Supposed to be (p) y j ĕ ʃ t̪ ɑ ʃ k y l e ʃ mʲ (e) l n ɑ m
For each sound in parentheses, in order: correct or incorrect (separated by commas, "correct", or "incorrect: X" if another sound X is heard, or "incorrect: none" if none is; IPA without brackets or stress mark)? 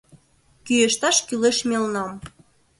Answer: incorrect: k, correct